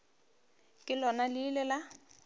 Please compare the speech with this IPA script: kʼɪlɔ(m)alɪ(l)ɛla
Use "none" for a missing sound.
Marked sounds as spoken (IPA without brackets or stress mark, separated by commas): n, l